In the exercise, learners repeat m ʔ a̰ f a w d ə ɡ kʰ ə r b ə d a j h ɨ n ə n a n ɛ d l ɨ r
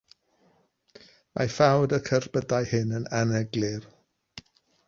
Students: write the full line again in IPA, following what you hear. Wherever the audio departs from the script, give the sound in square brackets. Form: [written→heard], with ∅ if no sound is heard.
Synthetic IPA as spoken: m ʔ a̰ f a w d ə [ɡ→∅] kʰ ə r b ə d a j h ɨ n ə n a n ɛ [d→ɡ] l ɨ r